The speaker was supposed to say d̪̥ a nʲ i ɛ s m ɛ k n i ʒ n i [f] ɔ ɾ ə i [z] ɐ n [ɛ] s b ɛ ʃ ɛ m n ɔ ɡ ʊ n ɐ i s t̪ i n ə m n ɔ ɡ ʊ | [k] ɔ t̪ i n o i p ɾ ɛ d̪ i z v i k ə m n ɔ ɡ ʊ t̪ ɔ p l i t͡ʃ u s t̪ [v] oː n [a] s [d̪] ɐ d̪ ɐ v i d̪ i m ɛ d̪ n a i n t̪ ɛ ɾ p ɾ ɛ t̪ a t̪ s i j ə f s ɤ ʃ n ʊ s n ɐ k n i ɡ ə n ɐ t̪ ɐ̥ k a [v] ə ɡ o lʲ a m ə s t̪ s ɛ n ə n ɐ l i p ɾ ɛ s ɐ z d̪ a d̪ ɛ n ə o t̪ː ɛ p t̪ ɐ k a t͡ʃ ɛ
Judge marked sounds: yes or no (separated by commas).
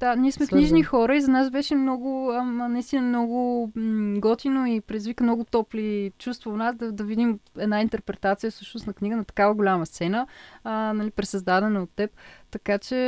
no, yes, no, no, yes, yes, yes, yes